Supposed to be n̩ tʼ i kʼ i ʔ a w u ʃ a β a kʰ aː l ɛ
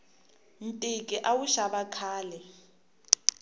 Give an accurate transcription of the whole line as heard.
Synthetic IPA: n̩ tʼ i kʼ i ʔ a w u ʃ a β a kʰ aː l ɛ